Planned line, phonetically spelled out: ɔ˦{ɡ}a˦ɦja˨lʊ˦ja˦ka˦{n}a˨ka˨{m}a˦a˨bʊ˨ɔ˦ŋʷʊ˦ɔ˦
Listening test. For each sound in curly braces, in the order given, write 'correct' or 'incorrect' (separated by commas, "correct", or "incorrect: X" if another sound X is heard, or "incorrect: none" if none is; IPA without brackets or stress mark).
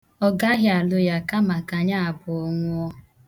correct, incorrect: m, incorrect: ɲ